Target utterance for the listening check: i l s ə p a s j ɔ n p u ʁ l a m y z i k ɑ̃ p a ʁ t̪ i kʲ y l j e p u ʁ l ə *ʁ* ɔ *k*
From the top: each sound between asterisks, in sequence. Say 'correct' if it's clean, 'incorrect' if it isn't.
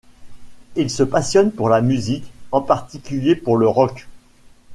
correct, correct

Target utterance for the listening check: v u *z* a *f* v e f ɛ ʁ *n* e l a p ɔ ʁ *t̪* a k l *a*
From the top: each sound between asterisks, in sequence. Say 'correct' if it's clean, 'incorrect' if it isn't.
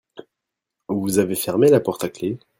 correct, incorrect: none, incorrect: m, correct, incorrect: e

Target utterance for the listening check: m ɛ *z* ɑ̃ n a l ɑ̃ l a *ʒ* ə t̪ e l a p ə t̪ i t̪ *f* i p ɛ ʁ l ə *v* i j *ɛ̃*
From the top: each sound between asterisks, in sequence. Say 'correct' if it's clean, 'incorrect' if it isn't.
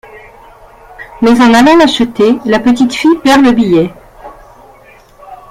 correct, incorrect: ʃ, correct, incorrect: b, incorrect: ɛ

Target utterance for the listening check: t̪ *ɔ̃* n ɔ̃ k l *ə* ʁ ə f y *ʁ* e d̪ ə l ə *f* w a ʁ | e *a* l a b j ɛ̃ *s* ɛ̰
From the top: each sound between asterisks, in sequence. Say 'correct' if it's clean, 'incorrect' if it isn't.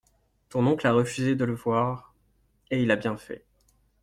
correct, incorrect: a, incorrect: z, incorrect: v, incorrect: i, incorrect: f

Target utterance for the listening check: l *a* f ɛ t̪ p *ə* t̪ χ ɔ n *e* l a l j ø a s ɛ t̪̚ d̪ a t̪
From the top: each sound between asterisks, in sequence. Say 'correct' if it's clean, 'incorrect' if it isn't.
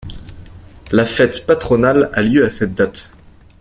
correct, incorrect: a, incorrect: a

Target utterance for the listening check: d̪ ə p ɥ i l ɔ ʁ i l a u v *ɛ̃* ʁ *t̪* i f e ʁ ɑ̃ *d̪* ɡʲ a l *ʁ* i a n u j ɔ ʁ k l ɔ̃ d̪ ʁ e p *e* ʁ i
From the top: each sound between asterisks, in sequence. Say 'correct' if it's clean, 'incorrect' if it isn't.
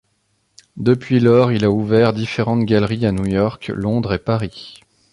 incorrect: ɛ, incorrect: d̪, incorrect: t̪, correct, incorrect: a

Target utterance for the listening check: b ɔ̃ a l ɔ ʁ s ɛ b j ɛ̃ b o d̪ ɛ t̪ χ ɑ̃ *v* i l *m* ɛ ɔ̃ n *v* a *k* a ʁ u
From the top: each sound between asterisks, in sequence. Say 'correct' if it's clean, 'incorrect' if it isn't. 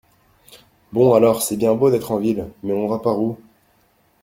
correct, correct, correct, incorrect: p

